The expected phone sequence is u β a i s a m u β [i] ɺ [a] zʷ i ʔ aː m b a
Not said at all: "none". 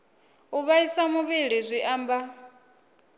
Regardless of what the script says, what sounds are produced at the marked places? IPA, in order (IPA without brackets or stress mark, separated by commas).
i, i